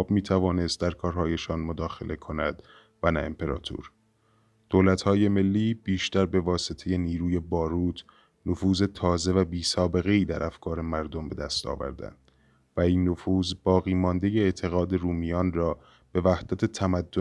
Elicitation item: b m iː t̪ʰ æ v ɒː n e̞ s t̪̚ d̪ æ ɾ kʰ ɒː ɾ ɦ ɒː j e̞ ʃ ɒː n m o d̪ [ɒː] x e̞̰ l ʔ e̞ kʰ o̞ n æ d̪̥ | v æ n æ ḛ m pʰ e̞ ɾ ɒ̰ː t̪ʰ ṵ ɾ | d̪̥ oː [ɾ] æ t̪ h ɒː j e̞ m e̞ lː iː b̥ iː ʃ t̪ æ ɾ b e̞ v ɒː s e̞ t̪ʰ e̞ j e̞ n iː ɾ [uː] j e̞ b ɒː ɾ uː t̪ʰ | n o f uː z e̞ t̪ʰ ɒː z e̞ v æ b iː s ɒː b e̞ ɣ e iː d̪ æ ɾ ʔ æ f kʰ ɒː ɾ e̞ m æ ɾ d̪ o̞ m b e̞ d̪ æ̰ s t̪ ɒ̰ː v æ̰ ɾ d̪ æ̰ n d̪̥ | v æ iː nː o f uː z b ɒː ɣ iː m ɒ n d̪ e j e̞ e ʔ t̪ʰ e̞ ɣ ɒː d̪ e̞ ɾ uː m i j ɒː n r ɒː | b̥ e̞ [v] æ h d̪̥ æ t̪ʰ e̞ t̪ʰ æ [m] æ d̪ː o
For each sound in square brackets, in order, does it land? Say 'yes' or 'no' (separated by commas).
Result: yes, no, yes, yes, yes